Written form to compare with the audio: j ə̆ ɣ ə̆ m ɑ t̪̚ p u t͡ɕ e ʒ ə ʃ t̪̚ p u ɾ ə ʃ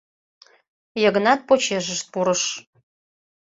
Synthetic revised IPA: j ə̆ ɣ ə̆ n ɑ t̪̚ p o t͡ɕ e ʒ ə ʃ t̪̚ p u ɾ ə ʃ